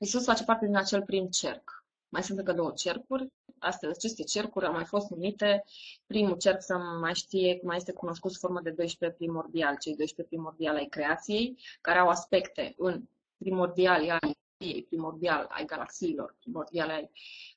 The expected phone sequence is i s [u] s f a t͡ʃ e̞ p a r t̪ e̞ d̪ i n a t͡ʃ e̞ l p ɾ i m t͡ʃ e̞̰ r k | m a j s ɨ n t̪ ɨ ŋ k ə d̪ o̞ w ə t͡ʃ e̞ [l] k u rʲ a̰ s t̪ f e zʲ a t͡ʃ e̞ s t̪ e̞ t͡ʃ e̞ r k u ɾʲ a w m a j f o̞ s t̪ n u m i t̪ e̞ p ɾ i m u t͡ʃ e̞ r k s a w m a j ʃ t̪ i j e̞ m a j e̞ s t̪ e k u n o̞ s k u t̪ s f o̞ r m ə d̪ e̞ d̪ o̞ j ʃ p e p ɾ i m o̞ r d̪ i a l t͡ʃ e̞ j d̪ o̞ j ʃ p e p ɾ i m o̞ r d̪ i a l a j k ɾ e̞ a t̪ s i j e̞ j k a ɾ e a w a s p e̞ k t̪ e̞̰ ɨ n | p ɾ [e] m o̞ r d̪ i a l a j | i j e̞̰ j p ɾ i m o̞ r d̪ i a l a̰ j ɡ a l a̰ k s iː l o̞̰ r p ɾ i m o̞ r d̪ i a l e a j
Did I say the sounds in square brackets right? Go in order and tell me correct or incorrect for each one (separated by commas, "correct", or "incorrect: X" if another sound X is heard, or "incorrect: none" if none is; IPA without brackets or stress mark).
correct, incorrect: r, incorrect: i